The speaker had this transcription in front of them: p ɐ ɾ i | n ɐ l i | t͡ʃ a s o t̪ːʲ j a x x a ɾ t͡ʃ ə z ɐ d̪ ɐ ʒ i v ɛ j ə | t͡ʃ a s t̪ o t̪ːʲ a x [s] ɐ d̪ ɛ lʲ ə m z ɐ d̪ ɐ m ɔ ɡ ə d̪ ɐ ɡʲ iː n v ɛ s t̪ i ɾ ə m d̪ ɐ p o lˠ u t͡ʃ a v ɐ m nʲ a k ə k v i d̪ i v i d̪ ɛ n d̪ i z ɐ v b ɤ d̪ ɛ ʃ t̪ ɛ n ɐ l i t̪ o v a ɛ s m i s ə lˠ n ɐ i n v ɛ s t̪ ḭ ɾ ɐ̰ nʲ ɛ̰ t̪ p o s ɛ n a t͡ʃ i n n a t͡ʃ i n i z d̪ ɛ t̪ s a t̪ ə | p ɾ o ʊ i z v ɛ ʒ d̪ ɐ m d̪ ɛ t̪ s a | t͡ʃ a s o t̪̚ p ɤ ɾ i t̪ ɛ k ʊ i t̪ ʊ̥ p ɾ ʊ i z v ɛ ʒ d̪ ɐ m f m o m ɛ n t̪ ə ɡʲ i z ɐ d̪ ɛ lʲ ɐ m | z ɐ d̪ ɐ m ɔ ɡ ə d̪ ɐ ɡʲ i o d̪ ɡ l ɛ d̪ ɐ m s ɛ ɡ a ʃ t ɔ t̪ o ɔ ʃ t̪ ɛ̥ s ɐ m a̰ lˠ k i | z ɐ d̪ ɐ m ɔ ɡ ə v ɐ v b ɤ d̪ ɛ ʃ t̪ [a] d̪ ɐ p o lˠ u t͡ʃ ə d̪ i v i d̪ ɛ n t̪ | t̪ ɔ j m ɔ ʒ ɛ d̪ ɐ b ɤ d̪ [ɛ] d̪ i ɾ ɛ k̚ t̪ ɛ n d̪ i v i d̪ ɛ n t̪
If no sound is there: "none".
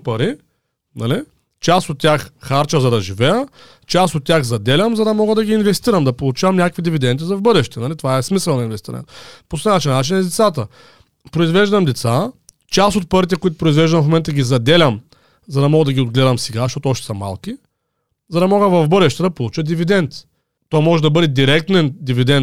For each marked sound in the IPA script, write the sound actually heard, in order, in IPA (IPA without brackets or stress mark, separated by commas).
z, ɛ, ɛ